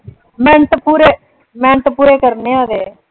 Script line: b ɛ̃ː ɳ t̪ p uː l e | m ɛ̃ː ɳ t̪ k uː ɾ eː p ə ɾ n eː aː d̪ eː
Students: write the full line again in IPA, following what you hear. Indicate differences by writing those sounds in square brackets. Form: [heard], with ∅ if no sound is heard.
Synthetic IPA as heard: [m] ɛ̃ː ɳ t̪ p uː [ɾ] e | m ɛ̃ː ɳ t̪ [p] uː ɾ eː [k] ə ɾ n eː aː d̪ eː